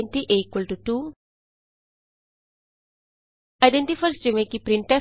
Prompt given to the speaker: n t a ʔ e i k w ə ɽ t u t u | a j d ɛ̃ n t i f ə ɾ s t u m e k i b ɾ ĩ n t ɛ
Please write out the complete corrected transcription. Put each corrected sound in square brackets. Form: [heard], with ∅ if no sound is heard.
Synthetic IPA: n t [i] ʔ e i k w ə [l] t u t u | a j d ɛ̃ n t i f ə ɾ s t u m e k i [p] ɾ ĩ n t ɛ